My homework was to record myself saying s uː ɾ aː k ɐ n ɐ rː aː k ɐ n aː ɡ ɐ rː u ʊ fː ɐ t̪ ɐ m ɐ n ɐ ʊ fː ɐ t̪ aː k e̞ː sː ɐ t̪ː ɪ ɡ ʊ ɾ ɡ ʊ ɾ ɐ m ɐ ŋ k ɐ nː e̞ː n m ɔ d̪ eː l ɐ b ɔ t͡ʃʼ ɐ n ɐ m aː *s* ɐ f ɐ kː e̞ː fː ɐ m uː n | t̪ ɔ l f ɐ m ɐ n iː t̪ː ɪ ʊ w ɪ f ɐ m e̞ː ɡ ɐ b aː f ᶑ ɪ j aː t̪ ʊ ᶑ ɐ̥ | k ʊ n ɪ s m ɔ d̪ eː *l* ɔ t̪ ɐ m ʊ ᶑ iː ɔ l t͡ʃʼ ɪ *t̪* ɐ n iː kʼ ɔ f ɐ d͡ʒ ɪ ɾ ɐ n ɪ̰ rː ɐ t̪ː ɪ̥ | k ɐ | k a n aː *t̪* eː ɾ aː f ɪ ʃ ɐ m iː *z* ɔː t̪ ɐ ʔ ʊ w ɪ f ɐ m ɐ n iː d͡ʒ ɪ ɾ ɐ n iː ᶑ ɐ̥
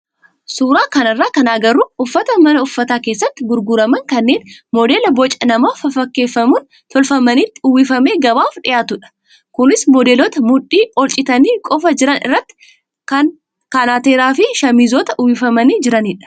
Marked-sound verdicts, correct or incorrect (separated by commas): incorrect, correct, correct, correct, correct